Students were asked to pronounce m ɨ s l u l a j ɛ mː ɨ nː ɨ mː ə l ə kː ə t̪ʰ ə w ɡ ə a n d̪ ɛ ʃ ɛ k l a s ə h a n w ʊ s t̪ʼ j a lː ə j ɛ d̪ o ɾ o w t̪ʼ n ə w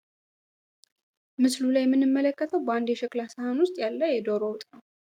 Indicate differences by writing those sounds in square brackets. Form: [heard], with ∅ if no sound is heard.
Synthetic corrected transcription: m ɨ s l u l a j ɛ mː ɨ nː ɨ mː ə l ə kː ə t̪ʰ ə w [b] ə a n d̪ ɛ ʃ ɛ k l a s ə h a n w ʊ s t̪ʼ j a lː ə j ɛ d̪ o ɾ o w t̪ʼ n ə w